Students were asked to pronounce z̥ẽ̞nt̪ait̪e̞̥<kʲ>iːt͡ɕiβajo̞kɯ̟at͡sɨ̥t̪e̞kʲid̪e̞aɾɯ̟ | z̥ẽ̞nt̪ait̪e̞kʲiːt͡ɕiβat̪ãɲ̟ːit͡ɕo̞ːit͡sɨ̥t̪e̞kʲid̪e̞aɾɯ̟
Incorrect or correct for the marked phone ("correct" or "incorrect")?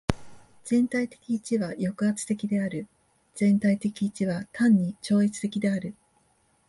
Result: correct